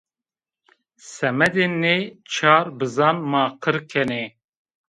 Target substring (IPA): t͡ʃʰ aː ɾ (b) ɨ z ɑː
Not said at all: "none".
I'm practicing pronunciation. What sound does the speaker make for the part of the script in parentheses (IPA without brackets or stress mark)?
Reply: b